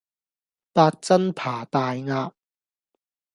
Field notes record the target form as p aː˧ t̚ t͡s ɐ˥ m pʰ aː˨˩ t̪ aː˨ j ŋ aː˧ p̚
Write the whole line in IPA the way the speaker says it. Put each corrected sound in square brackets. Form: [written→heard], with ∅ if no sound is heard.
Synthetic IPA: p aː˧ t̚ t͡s ɐ˥ [m→n] pʰ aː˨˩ t̪ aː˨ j ŋ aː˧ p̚